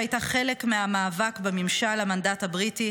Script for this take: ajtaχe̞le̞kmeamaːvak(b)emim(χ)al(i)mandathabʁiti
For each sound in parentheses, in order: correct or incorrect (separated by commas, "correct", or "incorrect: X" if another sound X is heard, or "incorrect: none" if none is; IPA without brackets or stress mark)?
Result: correct, incorrect: ʃ, incorrect: a